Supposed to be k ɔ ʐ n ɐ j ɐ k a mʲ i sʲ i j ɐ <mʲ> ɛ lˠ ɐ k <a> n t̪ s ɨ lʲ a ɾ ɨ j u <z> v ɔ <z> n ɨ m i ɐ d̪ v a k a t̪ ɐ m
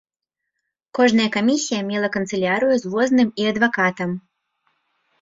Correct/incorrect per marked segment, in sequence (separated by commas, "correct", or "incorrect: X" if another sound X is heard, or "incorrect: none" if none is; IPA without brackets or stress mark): correct, incorrect: ɐ, correct, correct